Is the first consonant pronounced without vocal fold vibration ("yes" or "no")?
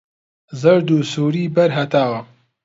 no